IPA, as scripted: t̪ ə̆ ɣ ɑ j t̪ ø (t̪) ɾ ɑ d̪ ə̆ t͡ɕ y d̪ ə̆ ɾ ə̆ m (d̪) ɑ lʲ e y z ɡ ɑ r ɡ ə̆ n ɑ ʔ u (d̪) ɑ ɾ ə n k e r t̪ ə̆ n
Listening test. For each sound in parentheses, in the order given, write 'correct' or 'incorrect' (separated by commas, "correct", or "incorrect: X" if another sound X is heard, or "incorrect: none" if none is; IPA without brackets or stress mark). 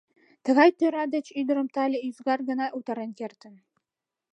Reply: incorrect: none, incorrect: t̪, incorrect: t̪